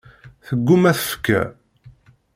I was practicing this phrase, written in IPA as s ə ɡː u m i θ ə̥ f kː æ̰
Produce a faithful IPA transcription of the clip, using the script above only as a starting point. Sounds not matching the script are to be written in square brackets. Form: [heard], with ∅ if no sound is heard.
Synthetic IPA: [θ] ə ɡː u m [æ] θ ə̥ f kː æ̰

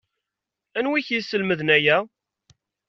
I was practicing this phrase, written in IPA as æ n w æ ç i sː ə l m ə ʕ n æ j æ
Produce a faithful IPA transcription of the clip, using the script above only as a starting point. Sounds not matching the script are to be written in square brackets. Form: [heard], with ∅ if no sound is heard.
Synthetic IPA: æ n w [i] ç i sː ə l m ə [ð] n æ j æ

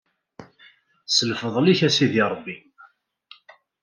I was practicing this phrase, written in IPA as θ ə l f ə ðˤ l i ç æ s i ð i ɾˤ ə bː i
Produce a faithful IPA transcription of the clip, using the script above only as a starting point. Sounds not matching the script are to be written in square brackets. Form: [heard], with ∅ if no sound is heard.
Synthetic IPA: [s] ə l f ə ðˤ l i ç æ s i ð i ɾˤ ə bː i

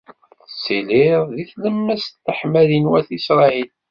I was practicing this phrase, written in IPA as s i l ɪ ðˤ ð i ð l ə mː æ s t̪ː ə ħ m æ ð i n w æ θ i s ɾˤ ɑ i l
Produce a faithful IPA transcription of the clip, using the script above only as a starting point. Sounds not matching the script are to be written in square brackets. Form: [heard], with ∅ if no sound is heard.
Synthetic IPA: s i l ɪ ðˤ ð i [θ] l ə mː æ s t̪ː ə ħ m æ ð i n w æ θ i s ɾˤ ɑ i l

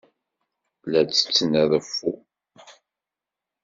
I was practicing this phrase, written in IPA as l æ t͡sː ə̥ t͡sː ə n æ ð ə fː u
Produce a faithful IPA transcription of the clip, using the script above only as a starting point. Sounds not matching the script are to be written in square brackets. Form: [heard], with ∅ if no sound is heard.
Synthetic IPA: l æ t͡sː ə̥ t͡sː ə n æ ð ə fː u

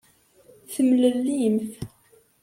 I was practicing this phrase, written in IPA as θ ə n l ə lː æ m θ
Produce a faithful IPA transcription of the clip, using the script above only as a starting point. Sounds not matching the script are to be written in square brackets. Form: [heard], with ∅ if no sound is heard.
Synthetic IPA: θ ə [m] l ə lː [i] m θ

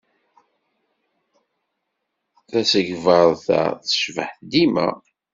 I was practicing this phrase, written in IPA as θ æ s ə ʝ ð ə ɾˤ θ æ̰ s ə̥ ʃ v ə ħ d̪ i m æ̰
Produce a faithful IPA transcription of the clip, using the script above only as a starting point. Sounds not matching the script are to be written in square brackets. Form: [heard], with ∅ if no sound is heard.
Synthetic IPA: θ æ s ə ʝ [v] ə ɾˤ θ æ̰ [θ] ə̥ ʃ v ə ħ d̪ i m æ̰

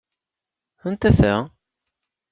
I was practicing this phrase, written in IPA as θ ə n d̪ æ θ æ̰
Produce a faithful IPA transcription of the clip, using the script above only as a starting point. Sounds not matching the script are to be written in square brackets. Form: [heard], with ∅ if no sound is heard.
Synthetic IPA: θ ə n [t̪] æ θ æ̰

